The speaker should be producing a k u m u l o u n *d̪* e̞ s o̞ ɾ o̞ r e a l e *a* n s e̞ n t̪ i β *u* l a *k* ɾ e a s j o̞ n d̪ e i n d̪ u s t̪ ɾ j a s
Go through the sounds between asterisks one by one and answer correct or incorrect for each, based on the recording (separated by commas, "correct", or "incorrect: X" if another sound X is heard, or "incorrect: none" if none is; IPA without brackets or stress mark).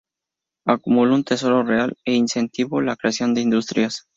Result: incorrect: t̪, incorrect: i, incorrect: o, correct